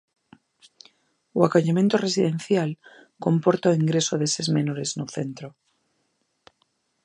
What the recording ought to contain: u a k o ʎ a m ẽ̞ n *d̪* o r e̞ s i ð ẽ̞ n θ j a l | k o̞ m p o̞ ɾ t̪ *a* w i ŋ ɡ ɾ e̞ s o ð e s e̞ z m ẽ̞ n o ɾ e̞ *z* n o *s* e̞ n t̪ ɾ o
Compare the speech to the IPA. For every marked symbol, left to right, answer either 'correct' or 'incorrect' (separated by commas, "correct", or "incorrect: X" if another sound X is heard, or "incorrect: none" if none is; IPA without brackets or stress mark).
incorrect: t̪, correct, correct, incorrect: θ